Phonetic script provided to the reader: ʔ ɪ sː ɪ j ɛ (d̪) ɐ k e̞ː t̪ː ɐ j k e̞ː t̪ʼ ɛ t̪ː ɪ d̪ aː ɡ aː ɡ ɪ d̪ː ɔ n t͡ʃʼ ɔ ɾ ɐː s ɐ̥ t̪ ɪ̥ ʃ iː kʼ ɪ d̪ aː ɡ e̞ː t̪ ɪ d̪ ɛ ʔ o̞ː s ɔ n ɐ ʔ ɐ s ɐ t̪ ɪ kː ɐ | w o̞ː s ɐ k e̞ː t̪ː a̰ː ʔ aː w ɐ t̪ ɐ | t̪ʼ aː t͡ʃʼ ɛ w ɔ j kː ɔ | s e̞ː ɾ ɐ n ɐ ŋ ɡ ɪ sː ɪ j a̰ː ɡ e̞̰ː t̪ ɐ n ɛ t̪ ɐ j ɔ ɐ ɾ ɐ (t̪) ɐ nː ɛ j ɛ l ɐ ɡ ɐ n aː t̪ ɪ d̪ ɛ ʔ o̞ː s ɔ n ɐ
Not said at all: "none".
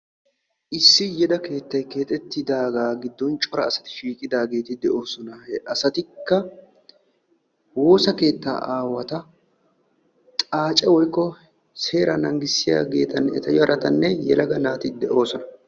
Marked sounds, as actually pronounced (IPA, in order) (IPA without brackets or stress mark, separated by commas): d̪, t̪